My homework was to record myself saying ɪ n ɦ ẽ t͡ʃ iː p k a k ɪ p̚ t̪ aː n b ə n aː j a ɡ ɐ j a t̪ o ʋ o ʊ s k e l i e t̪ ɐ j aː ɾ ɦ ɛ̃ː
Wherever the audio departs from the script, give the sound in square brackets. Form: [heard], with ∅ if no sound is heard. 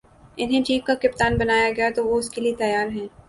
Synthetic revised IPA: ɪ n ɦ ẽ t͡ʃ iː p k a k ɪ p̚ t̪ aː n b [ɐ] n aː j a ɡ ɐ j a t̪ o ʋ o ʊ s k e l i e t̪ ɐ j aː ɾ ɦ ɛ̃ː